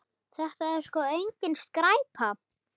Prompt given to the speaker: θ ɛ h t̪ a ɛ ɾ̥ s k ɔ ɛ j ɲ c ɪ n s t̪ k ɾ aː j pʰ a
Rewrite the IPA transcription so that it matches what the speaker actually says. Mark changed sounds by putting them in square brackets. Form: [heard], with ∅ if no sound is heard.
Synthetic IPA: θ ɛ h t̪ a ɛ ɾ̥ s k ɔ [e] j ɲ c ɪ n s t̪ k ɾ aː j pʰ a